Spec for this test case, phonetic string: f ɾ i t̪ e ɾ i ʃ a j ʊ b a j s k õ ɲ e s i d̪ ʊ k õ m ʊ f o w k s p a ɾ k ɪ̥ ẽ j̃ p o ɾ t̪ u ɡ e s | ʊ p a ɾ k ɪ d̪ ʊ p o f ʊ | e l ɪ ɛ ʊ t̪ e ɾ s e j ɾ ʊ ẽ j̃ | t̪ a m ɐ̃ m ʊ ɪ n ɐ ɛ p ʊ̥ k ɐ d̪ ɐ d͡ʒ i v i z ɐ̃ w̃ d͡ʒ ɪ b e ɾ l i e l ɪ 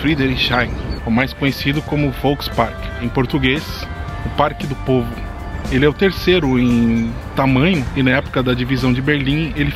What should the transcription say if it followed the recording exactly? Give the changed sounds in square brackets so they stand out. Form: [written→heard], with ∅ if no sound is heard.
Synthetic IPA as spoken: f ɾ i [t̪→d̪] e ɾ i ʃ a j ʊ [b→m] a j s k õ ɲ e s i d̪ ʊ k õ m ʊ f o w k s p a ɾ k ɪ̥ ẽ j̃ p o ɾ t̪ u ɡ e s | ʊ p a ɾ k ɪ d̪ ʊ p o [f→v] ʊ | e l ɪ ɛ ʊ t̪ e ɾ s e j ɾ ʊ ẽ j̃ | t̪ a m ɐ̃ [m→ɲ] ʊ ɪ n ɐ ɛ p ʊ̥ k ɐ d̪ ɐ d͡ʒ i v i z ɐ̃ w̃ d͡ʒ ɪ b e ɾ l [i→ĩ] e l ɪ